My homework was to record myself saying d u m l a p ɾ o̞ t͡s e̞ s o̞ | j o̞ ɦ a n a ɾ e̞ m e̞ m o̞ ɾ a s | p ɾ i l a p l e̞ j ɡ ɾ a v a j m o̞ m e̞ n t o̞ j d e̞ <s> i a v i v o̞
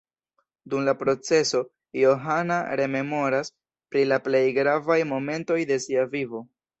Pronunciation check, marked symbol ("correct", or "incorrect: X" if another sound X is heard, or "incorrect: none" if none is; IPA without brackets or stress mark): correct